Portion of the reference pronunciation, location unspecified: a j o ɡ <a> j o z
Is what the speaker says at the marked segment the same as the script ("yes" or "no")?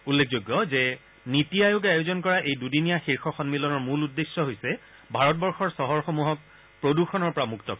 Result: yes